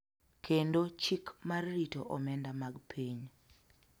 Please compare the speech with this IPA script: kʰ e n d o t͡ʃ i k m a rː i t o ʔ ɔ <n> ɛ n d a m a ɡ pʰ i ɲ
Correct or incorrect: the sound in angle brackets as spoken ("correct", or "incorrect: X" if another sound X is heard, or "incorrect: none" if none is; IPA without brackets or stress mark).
incorrect: m